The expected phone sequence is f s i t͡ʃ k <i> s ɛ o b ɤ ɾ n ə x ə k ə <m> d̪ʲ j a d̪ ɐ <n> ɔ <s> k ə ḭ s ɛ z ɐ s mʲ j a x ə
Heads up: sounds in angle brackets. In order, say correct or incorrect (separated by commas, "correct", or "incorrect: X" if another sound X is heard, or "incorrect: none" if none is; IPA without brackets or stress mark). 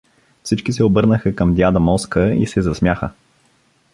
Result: correct, correct, incorrect: m, correct